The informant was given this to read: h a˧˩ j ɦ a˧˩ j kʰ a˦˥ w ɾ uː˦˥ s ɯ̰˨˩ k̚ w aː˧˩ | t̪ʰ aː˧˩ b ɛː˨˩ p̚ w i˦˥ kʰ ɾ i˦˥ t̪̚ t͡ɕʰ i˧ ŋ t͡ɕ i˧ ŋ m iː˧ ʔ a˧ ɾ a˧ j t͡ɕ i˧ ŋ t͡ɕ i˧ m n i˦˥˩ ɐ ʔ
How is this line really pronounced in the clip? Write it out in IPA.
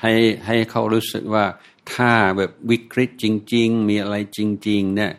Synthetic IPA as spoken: h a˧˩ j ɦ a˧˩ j kʰ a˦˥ w ɾ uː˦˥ s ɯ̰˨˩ k̚ w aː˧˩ | t̪ʰ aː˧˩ b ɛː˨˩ p̚ w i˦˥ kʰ ɾ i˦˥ t̪̚ t͡ɕ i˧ ŋ t͡ɕ i˧ ŋ m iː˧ ʔ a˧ ɾ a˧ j t͡ɕ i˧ ŋ t͡ɕ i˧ ŋ n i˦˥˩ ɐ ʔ